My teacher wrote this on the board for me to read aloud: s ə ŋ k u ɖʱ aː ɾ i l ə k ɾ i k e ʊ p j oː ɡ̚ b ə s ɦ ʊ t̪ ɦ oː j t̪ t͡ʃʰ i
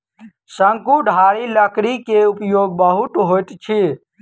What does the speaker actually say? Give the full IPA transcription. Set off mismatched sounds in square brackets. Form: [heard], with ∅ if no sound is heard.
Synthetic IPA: s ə ŋ k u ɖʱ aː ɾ i l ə k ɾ i k e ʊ p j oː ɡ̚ b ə [∅] ɦ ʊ t̪ ɦ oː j t̪ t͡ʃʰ i